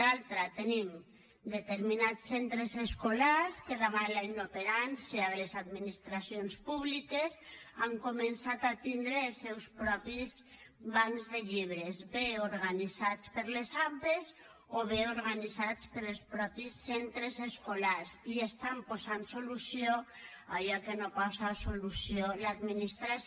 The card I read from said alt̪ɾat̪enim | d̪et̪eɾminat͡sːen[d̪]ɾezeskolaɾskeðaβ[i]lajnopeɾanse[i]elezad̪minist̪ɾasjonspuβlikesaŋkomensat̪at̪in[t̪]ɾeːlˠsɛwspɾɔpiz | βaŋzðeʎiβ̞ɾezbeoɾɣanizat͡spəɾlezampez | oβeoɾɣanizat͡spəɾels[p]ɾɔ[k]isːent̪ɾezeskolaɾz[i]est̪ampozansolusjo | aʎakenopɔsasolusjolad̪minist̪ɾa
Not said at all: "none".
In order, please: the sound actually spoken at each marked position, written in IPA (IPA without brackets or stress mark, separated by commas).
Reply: t̪, a, a, d̪, p, p, i